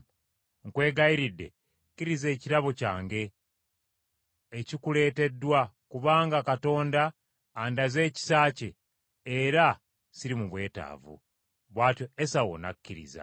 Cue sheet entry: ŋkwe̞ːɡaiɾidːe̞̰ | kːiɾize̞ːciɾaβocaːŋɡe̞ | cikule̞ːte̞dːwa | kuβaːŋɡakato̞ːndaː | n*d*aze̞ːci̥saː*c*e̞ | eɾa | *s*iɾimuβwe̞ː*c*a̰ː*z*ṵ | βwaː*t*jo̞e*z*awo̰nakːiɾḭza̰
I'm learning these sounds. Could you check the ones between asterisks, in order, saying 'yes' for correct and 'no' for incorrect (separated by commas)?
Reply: yes, yes, yes, no, no, yes, no